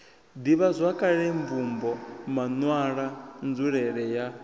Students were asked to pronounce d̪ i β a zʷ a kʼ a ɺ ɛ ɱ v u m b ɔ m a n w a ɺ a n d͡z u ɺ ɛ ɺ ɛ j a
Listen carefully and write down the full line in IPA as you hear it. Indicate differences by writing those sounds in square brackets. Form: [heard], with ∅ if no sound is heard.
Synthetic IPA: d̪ i β a zʷ a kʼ a ɺ ɛ ɱ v u m b ɔ m a n w a ɺ a n d͡z u ɺ ɛ ɺ ɛ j a